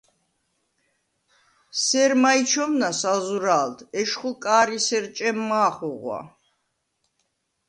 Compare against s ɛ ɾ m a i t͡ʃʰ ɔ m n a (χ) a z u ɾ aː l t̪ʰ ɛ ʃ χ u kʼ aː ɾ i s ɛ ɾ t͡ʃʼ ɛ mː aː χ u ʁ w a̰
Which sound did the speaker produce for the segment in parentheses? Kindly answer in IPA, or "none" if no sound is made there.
s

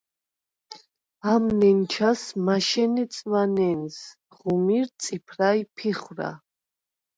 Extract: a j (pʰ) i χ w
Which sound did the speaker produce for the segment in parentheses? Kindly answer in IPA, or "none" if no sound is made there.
pʰ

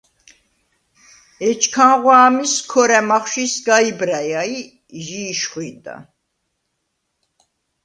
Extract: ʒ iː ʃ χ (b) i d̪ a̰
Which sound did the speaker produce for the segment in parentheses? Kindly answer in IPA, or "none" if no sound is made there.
w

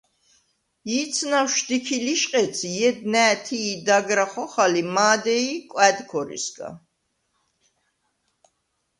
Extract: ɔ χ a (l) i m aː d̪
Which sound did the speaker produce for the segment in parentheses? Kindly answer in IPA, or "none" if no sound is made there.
l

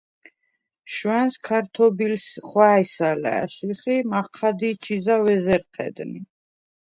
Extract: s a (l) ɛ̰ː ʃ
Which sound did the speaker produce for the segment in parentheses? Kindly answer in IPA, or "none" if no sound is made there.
l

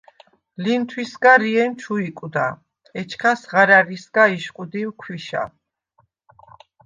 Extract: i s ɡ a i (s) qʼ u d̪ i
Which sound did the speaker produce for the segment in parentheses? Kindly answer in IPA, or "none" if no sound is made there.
ʃ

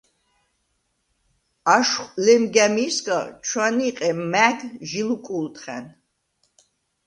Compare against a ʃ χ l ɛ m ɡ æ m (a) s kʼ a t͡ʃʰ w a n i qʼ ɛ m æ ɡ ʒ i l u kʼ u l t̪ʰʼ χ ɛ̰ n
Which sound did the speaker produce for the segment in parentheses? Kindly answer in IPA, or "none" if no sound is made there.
i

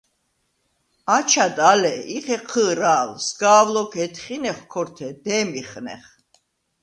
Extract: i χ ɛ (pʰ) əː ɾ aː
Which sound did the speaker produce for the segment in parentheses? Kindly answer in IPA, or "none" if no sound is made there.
qʰ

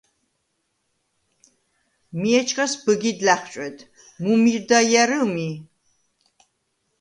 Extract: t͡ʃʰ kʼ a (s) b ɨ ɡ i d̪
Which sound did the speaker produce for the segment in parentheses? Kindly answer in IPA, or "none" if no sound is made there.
s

